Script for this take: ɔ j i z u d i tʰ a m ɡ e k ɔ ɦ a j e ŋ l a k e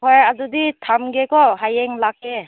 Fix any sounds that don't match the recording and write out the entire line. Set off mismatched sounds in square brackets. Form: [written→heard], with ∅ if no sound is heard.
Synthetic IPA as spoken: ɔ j [i→a] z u d i tʰ a m ɡ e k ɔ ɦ a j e ŋ l a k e